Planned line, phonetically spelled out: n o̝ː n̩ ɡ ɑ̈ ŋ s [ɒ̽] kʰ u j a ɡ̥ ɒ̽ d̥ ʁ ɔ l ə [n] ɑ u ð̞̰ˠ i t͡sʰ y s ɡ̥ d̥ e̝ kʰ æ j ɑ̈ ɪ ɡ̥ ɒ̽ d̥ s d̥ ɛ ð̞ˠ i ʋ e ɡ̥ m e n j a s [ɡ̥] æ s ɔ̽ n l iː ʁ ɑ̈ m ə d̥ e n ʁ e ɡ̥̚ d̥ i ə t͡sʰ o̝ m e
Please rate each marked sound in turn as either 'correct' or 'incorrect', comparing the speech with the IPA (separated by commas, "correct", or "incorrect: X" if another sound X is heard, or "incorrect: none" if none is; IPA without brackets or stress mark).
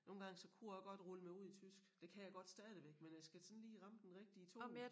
correct, incorrect: m, correct